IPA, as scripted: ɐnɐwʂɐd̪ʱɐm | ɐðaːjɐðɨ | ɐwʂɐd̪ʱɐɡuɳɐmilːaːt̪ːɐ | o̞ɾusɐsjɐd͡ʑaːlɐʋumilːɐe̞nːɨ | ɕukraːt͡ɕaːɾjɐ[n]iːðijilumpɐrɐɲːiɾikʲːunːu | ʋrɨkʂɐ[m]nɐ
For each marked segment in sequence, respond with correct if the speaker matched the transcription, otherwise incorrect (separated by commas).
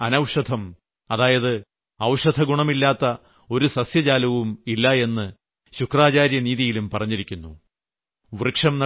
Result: correct, correct